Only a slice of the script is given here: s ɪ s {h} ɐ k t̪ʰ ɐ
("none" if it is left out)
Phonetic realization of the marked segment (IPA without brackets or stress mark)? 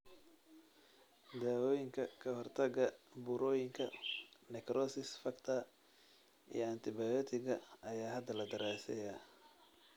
f